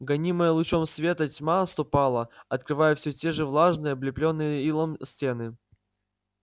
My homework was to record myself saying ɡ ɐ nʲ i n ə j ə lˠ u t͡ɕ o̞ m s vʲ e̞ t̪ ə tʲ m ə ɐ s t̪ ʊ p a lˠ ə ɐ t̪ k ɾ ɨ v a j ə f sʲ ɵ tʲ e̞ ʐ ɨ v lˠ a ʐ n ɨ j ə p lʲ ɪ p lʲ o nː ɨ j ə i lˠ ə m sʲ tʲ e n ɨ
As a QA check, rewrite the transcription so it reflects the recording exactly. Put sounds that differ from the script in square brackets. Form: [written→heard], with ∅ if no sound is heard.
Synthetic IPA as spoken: ɡ ɐ nʲ i [n→m] ə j ə lˠ [u→ʊ] t͡ɕ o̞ m s vʲ e̞ t̪ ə tʲ m [ə→a] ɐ s t̪ ʊ p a lˠ ə ɐ t̪ k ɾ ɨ v a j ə f sʲ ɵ tʲ e̞ ʐ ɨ v lˠ a ʐ n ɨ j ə [p→b] lʲ ɪ p lʲ o nː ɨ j ə i lˠ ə m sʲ tʲ e n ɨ